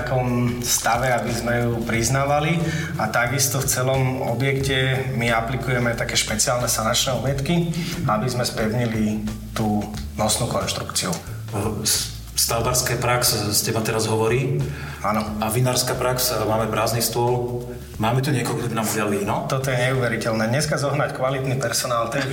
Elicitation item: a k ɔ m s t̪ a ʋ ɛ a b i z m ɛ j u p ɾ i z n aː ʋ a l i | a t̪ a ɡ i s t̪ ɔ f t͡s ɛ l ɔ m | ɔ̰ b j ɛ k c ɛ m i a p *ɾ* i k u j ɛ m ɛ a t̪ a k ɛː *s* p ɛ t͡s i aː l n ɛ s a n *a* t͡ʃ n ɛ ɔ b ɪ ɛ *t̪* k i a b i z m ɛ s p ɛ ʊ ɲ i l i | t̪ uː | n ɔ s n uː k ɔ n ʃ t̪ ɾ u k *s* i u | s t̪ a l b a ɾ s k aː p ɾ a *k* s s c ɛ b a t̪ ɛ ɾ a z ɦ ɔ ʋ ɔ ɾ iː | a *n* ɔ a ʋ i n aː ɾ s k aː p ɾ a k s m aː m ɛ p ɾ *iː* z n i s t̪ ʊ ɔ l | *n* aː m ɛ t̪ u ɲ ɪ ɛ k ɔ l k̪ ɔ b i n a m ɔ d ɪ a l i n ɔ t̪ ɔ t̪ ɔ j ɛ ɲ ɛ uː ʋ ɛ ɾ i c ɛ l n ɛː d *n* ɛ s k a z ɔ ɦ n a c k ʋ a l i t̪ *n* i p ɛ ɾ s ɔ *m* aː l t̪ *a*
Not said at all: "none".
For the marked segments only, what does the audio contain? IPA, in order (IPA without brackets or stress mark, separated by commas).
l, ʃ, a, t̪, t͡s, k, n, aː, m, ɲ, n, n, ɛ